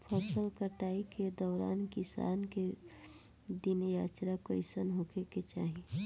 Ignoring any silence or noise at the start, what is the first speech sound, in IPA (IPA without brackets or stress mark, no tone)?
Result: pʰ